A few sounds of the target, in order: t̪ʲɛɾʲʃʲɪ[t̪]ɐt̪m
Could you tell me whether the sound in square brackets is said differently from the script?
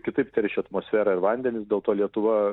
yes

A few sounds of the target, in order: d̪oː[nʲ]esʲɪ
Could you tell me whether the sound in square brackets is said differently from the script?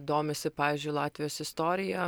yes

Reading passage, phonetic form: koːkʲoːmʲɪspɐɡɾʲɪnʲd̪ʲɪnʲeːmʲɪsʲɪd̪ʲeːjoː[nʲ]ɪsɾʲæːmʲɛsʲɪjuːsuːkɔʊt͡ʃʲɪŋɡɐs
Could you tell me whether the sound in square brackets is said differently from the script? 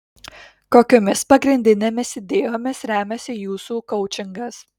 yes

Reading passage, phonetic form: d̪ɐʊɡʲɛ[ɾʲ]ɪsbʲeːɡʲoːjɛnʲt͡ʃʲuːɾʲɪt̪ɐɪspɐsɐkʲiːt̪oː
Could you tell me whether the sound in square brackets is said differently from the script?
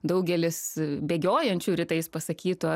yes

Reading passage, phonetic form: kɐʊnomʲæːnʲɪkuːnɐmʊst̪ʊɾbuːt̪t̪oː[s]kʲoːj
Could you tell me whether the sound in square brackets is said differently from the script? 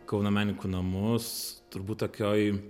yes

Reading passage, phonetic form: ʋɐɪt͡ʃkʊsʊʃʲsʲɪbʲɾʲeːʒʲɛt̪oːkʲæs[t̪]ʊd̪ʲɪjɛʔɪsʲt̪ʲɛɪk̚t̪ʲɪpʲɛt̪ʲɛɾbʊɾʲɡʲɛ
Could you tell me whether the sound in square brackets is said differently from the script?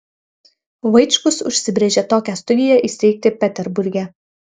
no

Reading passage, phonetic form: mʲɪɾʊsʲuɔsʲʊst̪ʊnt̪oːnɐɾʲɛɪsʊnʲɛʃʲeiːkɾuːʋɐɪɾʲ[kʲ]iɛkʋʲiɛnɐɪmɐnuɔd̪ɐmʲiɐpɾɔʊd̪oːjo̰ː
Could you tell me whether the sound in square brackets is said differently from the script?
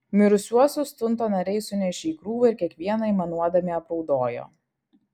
no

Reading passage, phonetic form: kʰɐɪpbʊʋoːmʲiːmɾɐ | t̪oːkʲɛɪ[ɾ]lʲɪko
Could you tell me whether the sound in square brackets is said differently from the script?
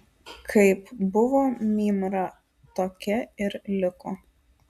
no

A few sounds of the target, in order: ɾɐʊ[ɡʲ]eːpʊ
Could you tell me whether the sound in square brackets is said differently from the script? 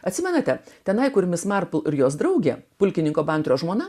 no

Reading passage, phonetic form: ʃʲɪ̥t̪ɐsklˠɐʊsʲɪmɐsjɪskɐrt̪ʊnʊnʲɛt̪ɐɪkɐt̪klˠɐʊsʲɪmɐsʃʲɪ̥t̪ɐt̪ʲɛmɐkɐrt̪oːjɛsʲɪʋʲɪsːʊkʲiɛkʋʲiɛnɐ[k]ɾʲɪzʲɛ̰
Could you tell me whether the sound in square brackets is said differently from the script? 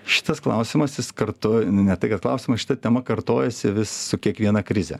no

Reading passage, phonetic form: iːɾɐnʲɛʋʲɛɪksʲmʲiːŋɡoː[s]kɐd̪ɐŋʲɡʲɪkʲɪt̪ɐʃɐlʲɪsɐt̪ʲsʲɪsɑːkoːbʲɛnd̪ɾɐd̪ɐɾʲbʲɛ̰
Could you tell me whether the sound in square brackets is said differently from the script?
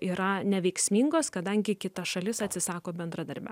no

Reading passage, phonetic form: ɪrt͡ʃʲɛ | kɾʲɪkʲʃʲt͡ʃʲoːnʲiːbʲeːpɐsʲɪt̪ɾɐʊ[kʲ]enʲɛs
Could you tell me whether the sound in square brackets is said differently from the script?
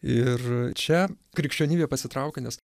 no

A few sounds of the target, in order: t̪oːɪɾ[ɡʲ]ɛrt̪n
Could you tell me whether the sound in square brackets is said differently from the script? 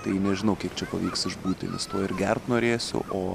no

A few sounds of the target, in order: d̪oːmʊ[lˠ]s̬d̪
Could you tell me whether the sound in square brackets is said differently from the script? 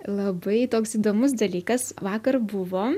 yes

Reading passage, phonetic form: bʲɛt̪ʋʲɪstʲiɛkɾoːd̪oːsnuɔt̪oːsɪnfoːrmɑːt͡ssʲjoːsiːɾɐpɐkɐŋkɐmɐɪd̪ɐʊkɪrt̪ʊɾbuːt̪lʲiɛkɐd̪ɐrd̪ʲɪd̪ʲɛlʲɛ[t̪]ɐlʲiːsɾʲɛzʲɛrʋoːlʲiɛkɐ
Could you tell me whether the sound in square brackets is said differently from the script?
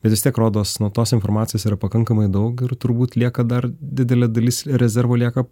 yes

